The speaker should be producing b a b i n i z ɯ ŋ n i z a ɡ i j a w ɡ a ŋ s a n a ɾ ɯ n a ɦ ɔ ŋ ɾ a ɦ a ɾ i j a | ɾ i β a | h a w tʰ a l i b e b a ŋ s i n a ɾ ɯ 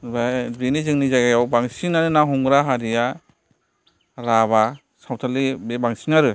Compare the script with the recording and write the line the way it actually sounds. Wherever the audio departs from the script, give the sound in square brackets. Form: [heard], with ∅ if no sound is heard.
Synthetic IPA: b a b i n i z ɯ ŋ n i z a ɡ [a] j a w [b] a ŋ s [i] n a ɾ ɯ n a ɦ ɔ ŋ ɾ a ɦ a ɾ i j a | ɾ [a] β a | [s] a w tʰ a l i b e b a ŋ s i n a ɾ ɯ

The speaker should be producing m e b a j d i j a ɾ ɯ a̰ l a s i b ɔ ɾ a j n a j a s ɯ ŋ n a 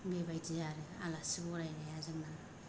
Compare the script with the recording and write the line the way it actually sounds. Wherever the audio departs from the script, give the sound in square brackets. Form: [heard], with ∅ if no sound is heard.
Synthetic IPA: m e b a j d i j a ɾ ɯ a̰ l a s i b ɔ ɾ a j n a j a [z] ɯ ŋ n a

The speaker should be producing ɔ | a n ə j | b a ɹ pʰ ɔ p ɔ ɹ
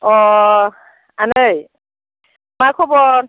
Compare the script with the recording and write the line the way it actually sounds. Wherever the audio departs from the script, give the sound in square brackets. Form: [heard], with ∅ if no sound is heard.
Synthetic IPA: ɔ | a n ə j | [m] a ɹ [kʰ] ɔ [b] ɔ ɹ

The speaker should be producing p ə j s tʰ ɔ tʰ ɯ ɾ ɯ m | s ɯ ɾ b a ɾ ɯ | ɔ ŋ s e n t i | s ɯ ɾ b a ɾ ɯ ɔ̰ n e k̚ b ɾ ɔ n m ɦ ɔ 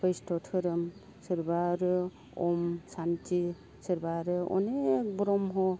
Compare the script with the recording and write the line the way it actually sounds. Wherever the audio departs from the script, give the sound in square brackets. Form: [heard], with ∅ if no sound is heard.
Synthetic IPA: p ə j s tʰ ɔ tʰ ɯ ɾ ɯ m | s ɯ ɾ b a ɾ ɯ | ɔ [m] s [a] n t i | s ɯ ɾ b a ɾ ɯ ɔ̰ n e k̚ b ɾ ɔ [∅] m ɦ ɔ

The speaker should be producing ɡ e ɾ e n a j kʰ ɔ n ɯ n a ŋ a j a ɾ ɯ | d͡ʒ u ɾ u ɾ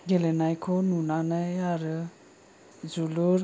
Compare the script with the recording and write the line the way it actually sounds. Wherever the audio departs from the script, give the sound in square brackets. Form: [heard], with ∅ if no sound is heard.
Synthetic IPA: ɡ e [l] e n a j kʰ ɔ n [u] n a [n] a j a ɾ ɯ | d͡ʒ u [l] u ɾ

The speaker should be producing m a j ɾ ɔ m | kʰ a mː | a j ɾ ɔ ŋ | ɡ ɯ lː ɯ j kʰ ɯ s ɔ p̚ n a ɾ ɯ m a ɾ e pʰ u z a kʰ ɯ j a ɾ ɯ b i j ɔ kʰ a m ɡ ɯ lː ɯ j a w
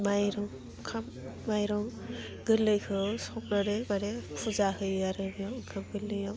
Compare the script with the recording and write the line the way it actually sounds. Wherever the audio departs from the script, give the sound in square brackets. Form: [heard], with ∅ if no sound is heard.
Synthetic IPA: m a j ɾ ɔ [ŋ] | kʰ a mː | a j ɾ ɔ ŋ | ɡ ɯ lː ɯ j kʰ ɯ s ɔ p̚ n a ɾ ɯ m a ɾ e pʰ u z a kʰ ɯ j a ɾ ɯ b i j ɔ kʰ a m ɡ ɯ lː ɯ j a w

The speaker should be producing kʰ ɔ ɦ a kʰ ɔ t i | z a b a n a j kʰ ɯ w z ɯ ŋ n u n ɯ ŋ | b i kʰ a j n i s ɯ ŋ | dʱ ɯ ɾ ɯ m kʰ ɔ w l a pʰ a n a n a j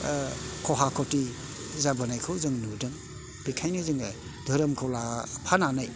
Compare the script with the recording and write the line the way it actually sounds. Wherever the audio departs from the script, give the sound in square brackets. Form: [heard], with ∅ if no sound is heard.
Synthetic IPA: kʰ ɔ ɦ a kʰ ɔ t i | z a b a n a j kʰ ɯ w z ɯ ŋ n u [d] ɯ ŋ | b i kʰ a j n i [z] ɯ ŋ | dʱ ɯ ɾ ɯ m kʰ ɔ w l a pʰ a n a n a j

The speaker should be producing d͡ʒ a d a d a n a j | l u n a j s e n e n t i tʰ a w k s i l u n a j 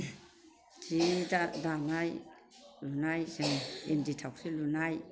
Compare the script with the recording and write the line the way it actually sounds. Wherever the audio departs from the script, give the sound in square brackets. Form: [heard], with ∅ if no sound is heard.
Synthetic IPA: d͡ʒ [i] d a d a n a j | l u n a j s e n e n [d] i tʰ a w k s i l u n a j

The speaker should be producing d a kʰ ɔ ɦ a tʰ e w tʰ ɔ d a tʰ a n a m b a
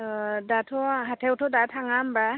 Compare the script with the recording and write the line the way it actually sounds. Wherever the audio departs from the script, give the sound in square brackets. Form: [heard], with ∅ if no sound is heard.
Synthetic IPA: d a [tʰ] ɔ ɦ a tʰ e w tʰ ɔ d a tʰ a [ŋ] a m b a

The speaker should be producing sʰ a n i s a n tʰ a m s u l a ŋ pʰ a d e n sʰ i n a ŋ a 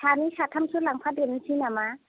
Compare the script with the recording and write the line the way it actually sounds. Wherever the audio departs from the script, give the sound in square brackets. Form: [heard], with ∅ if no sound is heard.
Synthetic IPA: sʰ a n i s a [∅] tʰ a m s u l a ŋ pʰ a d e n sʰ i n a [m] a

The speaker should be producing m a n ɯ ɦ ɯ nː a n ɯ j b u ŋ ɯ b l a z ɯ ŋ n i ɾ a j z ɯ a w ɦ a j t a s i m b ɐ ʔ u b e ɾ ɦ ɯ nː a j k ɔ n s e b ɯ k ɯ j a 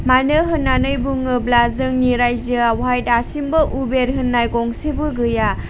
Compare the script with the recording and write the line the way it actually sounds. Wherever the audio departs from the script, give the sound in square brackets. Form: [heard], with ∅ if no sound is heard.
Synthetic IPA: m a n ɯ ɦ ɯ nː a n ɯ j b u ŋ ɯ b l a z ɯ ŋ n i ɾ a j z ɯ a w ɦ a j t a s i m b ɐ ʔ u b e ɾ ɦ ɯ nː a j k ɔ [ŋ] s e b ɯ [ɡ] ɯ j a

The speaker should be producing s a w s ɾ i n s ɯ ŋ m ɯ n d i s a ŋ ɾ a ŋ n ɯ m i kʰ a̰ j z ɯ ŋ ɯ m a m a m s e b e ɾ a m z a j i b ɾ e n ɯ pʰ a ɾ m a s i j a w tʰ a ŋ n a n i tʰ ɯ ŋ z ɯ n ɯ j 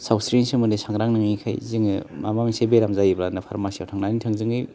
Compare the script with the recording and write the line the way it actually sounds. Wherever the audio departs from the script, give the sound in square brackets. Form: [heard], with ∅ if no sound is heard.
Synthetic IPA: s a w s ɾ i n s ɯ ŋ m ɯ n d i s a ŋ ɾ a ŋ n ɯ [ŋ] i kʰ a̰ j z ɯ ŋ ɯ m a m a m s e b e ɾ a m z a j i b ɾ [a] n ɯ pʰ a ɾ m a s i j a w tʰ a ŋ n a n i tʰ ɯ ŋ z ɯ [ŋ] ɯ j

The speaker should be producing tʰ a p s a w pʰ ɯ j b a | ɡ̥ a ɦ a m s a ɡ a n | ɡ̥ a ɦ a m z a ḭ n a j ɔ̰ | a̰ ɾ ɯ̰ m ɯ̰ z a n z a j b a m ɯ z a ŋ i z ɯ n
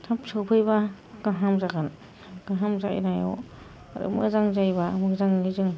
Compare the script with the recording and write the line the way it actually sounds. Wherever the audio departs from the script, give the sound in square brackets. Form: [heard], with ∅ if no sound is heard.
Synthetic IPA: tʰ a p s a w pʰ ɯ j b a | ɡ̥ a ɦ a m [z] a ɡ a n | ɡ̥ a ɦ a m z a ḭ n a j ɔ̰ | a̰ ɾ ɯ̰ m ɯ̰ z a [ŋ] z a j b a m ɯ z a ŋ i z ɯ [ŋ]

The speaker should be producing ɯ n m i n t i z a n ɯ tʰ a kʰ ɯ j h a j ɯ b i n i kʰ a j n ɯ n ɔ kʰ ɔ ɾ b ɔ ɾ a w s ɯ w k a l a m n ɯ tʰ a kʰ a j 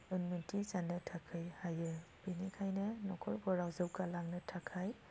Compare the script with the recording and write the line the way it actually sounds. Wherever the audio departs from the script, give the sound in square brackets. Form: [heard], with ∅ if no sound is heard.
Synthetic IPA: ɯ n m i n t i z a n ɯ tʰ a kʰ ɯ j h a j ɯ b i n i kʰ a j n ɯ n ɔ kʰ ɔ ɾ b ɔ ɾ a w [z] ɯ w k a l a [ŋ] n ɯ tʰ a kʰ a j

